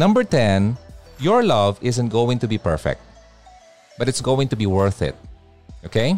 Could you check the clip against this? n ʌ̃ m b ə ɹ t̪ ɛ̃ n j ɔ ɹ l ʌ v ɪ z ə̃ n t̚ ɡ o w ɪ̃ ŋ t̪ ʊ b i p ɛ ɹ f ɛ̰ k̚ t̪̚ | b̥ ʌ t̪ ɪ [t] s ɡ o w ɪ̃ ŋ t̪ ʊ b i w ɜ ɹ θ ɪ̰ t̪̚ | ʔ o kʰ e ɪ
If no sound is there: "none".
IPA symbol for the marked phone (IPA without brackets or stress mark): t